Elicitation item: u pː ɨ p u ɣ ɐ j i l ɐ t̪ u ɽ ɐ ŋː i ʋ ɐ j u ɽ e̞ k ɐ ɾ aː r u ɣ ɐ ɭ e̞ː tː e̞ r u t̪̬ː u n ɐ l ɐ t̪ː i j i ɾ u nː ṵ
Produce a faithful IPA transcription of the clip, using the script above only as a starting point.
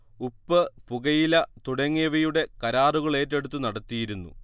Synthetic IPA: u pː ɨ p u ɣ ɐ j i l ɐ t̪ u ɽ ɐ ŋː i ʋ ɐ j u ɽ e̞ k ɐ ɾ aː r u ɣ ɐ ɭ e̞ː tː e̞ ɽ u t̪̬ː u n ɐ ɽ ɐ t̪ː i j i ɾ u nː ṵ